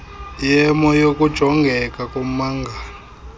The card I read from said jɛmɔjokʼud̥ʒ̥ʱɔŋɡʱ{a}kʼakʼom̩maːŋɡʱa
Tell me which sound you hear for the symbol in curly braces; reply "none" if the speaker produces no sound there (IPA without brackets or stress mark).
ɛ